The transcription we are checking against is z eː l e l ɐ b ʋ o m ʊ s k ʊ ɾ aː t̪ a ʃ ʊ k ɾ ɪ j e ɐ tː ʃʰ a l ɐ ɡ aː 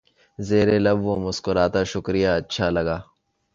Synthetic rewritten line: z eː ɾ e l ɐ b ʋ o m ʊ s k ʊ ɾ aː t̪ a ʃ ʊ k ɾ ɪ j a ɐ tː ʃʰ a l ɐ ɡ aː